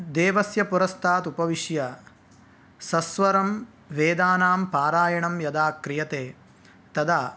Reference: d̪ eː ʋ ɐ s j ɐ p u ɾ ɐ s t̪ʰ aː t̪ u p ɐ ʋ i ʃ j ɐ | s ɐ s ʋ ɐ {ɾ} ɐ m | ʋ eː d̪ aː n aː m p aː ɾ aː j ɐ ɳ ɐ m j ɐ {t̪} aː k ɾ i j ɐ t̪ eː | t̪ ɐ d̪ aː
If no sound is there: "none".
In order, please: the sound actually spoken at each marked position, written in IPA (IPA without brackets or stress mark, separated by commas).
ɾ, d̪